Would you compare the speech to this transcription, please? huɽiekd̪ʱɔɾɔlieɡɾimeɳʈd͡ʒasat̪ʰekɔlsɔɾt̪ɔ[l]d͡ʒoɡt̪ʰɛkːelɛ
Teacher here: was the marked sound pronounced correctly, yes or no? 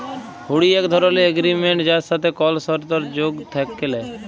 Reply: no